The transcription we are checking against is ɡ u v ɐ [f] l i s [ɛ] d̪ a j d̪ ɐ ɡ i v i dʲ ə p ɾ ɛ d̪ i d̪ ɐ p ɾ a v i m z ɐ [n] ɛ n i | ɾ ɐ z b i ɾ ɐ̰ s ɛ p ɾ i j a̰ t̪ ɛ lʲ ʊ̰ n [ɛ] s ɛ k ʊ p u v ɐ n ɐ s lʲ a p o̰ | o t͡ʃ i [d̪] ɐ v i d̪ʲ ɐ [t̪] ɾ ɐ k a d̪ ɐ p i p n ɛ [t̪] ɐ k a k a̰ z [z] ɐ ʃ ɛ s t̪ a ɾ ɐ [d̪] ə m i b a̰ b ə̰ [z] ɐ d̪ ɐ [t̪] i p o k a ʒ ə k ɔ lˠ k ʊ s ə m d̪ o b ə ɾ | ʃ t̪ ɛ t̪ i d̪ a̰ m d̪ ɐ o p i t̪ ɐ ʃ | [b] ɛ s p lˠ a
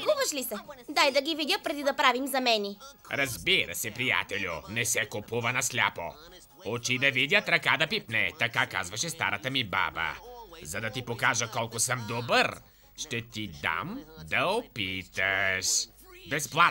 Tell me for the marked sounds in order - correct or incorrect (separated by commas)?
incorrect, correct, incorrect, correct, correct, correct, correct, incorrect, incorrect, correct, correct, correct